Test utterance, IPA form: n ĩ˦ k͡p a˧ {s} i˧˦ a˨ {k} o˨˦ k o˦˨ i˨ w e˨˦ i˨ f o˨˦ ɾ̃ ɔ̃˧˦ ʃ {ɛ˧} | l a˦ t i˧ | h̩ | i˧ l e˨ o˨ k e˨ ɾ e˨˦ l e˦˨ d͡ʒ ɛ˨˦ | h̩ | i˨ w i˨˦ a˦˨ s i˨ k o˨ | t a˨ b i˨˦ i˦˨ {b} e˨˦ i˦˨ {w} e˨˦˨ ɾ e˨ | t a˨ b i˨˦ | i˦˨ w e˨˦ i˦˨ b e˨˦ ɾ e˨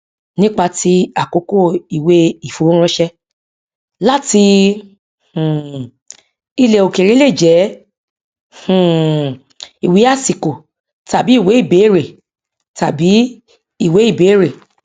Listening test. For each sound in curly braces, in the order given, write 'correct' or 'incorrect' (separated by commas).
incorrect, correct, correct, incorrect, incorrect